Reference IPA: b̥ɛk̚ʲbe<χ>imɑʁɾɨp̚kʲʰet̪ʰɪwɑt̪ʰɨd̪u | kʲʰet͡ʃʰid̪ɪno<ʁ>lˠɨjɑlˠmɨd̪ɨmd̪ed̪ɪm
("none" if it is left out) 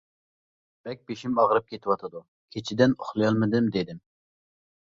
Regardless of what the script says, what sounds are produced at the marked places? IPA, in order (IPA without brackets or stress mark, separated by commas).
ʃ, χ